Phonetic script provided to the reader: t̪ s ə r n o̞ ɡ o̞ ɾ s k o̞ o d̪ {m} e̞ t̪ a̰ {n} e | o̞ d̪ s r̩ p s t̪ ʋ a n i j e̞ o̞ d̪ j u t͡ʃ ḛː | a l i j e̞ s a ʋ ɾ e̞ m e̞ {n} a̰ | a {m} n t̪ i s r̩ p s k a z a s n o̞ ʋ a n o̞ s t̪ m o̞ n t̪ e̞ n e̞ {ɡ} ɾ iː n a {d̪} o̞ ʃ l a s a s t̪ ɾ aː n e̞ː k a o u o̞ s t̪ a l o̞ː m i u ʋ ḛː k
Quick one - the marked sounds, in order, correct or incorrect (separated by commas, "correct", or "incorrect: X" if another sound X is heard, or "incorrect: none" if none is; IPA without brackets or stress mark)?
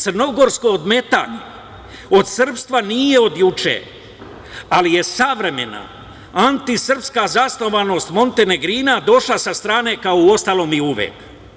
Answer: correct, incorrect: ɲ, correct, incorrect: none, correct, correct